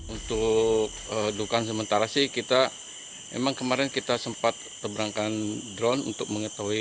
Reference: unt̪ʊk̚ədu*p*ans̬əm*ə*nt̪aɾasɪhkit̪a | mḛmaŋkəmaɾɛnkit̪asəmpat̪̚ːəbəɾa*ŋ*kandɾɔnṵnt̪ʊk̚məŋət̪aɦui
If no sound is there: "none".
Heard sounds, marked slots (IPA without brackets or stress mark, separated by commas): k, ə, ŋ